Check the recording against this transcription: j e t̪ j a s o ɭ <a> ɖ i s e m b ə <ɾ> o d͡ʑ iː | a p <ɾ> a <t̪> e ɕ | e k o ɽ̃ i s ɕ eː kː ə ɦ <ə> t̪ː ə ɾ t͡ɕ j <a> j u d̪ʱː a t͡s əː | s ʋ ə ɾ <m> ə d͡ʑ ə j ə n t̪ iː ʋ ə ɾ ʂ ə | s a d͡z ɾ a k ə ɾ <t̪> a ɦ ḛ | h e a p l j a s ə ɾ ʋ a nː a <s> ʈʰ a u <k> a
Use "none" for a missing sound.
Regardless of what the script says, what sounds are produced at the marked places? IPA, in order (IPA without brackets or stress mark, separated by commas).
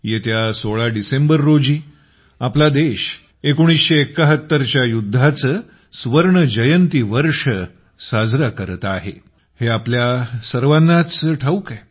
a, ɾː, l, d̪, ə, a, ɳ, t̪, t͡s, k